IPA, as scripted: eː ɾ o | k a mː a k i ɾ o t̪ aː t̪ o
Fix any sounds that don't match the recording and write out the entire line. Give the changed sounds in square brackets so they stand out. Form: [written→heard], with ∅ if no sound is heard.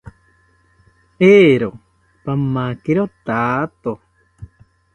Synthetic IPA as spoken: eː ɾ o | [k→p] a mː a k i ɾ o t̪ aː t̪ o